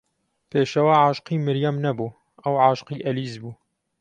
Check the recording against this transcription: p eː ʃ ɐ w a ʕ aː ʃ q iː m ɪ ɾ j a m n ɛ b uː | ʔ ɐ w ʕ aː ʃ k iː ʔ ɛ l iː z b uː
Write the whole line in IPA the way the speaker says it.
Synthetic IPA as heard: p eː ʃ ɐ w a ʕ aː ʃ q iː m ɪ ɾ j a m n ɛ b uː | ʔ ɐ w ʕ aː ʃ q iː ʔ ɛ l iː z b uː